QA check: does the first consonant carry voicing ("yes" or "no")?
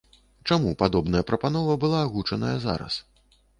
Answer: no